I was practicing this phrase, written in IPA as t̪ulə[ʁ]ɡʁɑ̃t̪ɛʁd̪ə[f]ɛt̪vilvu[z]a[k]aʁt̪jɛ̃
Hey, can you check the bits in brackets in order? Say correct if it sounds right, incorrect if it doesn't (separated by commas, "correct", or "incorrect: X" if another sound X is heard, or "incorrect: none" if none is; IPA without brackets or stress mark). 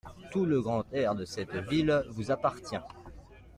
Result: incorrect: none, incorrect: s, correct, incorrect: p